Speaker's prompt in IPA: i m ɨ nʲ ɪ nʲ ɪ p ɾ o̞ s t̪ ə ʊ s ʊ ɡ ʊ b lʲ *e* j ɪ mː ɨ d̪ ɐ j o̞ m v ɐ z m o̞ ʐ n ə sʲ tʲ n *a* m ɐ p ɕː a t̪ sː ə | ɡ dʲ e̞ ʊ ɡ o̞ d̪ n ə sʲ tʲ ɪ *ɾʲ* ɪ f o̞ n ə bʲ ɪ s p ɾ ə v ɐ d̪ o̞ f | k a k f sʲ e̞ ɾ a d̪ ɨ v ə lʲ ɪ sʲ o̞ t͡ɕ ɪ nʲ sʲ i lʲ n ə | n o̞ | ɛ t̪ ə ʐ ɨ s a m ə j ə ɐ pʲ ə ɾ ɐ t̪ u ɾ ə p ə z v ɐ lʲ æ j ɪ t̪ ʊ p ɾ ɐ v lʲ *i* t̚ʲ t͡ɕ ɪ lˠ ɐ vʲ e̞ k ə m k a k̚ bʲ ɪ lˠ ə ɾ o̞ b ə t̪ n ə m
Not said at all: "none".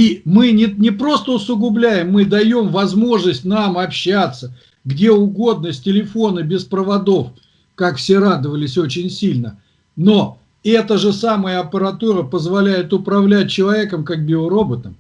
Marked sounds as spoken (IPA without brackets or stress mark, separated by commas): æ, a, lʲ, æ